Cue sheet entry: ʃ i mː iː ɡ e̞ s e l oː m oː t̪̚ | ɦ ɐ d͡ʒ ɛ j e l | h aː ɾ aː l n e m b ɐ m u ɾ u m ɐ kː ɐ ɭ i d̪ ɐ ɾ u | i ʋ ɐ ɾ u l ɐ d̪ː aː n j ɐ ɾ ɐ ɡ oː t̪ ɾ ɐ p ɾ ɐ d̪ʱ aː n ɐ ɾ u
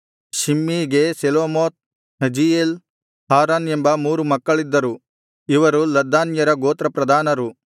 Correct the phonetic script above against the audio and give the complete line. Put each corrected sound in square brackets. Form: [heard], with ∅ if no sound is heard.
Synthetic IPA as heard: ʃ i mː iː ɡ e̞ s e l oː m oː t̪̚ | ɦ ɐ d͡ʒ [i] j e l | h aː ɾ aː [∅] n e m b ɐ m [uː] ɾ u m ɐ kː ɐ ɭ i [d̪ː] ɐ ɾ u | i ʋ ɐ ɾ u l ɐ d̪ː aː n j ɐ ɾ ɐ ɡ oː t̪ ɾ ɐ p ɾ ɐ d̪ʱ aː n ɐ ɾ u

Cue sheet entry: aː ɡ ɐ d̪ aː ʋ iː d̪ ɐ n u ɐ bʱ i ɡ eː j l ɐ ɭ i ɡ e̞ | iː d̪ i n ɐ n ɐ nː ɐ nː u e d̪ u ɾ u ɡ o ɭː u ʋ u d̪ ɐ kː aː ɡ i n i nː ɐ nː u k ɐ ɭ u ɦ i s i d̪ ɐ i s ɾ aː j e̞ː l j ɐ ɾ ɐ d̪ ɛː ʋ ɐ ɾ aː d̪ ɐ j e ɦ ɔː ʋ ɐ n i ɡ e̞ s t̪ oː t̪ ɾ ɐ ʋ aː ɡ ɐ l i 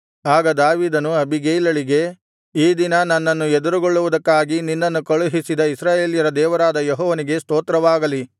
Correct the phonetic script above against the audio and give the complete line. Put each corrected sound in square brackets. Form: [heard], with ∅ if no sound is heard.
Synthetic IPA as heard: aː ɡ ɐ d̪ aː ʋ iː d̪ ɐ n u ɐ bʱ i ɡ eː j l ɐ ɭ i ɡ e̞ | iː d̪ i n ɐ n ɐ nː ɐ nː u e d̪ u ɾ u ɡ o ɭː u ʋ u d̪ ɐ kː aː ɡ i n i nː ɐ nː u k ɐ ɭ u ɦ i s i d̪ ɐ i s ɾ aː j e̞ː l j ɐ ɾ ɐ d̪ ɛː ʋ ɐ ɾ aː d̪ ɐ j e ɦ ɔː ʋ ɐ n i ɡ e̞ s t̪ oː t̪ ɾ ɐ ʋ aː ɡ ɐ l i

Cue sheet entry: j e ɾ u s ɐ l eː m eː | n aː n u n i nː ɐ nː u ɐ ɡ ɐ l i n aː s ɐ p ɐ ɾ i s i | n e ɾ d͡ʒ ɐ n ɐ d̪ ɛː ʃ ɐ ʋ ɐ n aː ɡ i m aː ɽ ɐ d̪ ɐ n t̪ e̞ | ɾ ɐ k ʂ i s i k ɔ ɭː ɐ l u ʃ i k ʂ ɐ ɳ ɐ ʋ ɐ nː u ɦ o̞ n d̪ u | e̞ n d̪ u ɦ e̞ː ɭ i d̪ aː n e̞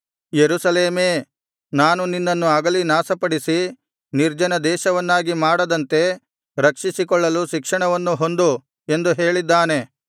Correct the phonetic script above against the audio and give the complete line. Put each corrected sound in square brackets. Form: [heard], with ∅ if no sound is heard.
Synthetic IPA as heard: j e ɾ u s ɐ l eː m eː | n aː n u n i nː ɐ nː u ɐ ɡ ɐ l i n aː s ɐ p ɐ [ɽ] i s i | n [i] ɾ d͡ʒ ɐ n ɐ d̪ ɛː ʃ ɐ ʋ ɐ [nː] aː ɡ i m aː ɽ ɐ d̪ ɐ n t̪ e̞ | ɾ ɐ k ʂ i s i k ɔ ɭː ɐ l u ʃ i k ʂ ɐ ɳ ɐ ʋ ɐ nː u ɦ o̞ n d̪ u | e̞ n d̪ u ɦ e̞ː ɭ i [d̪ː] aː n e̞

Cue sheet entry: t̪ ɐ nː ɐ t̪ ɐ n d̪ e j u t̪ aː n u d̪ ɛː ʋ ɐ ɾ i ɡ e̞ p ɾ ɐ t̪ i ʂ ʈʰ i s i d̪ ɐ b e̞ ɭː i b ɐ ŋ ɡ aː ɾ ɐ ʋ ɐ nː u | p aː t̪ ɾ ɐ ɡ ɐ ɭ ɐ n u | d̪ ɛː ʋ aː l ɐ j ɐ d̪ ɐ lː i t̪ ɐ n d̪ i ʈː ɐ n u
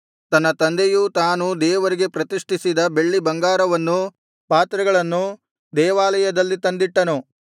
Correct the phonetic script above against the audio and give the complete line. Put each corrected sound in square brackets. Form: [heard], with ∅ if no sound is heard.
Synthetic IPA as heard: t̪ ɐ nː ɐ t̪ ɐ n d̪ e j u t̪ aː n u d̪ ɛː ʋ ɐ ɾ i ɡ e̞ p ɾ ɐ t̪ i ʂ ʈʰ i s i d̪ ɐ b e̞ ɭː i b ɐ ŋ ɡ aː ɾ ɐ ʋ ɐ nː u | p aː t̪ ɾ ɐ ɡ ɐ ɭ ɐ [nː] u | d̪ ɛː ʋ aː l ɐ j ɐ d̪ ɐ lː i t̪ ɐ n d̪ i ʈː ɐ n u

